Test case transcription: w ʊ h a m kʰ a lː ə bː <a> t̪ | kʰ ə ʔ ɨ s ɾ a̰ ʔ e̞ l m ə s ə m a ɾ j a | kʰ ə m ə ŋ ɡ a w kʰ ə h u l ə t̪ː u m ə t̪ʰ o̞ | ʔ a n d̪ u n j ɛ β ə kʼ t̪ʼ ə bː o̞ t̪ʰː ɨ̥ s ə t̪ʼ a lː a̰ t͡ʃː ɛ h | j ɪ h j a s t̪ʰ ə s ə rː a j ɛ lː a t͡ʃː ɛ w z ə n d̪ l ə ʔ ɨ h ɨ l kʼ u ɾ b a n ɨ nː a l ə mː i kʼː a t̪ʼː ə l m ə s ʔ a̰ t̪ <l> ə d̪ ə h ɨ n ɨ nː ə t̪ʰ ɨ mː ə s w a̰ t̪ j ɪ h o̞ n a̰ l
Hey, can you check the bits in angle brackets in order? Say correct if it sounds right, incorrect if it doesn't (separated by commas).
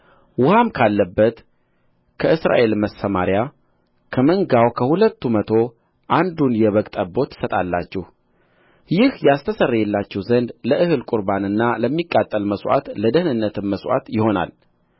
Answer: incorrect, correct